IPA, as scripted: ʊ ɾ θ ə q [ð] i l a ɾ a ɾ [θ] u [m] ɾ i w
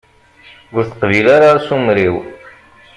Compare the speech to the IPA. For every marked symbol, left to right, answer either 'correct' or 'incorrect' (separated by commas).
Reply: incorrect, incorrect, correct